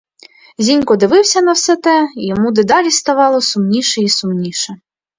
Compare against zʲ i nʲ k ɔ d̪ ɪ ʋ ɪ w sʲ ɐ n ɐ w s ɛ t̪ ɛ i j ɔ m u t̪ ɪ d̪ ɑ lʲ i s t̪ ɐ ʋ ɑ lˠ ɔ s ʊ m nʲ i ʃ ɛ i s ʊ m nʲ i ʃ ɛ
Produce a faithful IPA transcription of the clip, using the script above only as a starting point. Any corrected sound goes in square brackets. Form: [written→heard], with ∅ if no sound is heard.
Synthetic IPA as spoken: zʲ i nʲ k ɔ d̪ ɪ ʋ ɪ w sʲ ɐ n ɐ w s ɛ t̪ ɛ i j ɔ m u [t̪→d̪] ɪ d̪ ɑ lʲ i s t̪ ɐ ʋ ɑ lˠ ɔ s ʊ m nʲ i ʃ ɛ i s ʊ m nʲ i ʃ ɛ